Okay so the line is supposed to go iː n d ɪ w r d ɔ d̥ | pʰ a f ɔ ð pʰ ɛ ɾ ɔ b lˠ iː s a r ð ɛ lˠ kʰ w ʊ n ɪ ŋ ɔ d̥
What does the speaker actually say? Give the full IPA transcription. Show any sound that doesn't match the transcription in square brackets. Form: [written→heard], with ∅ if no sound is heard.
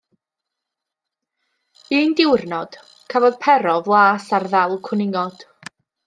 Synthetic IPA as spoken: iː n d ɪ w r [d→n] ɔ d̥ | [pʰ→kʰ] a [f→v] ɔ ð pʰ ɛ ɾ ɔ [b→v] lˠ [iː→aː] s a r ð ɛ lˠ kʰ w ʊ n ɪ ŋ ɔ d̥